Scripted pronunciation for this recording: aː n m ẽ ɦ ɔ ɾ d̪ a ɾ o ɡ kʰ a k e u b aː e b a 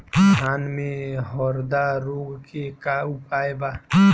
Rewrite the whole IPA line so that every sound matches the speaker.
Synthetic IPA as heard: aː n m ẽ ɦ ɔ ɾ d̪ a ɾ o ɡ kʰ e k a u p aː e b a